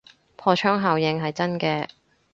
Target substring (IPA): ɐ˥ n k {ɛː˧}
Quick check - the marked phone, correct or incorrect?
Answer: correct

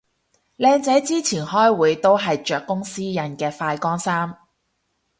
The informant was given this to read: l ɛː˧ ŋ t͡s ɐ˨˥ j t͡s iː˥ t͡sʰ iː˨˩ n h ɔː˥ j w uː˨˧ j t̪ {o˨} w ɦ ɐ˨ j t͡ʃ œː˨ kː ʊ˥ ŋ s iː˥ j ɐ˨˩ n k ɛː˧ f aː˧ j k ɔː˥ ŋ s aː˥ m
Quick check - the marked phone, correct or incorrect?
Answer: incorrect: o˥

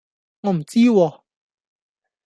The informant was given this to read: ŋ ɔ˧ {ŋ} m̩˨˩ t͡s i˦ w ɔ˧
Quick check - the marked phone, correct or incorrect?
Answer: incorrect: none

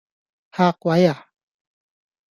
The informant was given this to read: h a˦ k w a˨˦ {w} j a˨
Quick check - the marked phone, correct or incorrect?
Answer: incorrect: none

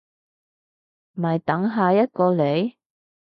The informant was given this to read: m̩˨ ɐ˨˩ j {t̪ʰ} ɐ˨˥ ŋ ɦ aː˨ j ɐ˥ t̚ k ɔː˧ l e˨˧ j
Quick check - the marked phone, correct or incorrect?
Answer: incorrect: t̪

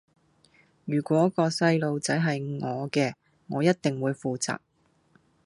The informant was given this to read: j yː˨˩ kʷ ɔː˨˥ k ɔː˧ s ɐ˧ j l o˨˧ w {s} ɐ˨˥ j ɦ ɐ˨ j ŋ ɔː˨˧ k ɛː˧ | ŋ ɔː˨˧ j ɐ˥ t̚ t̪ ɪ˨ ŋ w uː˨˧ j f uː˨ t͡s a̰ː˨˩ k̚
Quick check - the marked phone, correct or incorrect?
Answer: incorrect: t͡s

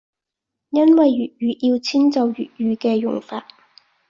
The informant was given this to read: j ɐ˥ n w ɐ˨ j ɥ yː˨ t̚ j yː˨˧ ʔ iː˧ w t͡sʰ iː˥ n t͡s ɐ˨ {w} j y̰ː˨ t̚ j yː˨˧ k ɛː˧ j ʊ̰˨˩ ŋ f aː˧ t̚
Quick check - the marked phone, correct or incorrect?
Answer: correct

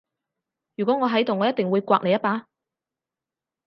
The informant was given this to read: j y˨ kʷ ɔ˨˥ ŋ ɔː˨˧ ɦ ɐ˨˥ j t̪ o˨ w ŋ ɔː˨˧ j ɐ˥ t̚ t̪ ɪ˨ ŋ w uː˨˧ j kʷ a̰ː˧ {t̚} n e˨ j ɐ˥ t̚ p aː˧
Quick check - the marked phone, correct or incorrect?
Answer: incorrect: k̚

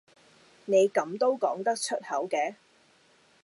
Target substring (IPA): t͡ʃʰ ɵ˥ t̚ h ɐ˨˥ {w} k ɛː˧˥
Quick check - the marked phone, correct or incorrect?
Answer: correct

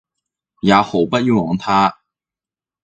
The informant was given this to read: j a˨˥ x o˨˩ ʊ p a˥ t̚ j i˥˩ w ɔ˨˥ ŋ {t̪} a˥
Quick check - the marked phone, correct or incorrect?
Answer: incorrect: t̪ʰ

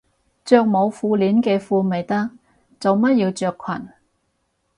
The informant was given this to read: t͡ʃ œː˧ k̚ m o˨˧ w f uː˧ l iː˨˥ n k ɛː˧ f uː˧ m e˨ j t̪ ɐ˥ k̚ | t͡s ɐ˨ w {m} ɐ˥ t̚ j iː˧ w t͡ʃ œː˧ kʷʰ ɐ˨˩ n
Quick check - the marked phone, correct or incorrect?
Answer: correct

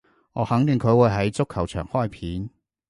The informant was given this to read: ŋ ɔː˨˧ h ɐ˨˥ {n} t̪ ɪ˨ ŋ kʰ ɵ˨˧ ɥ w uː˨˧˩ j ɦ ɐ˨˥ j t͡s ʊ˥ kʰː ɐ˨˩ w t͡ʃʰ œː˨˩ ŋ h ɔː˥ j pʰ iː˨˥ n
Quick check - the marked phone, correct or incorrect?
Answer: incorrect: ŋ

